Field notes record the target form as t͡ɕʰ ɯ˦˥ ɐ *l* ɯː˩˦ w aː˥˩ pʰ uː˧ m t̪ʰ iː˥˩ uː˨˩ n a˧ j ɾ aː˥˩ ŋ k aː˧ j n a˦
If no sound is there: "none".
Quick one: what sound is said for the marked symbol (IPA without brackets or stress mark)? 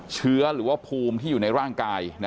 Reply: ɾ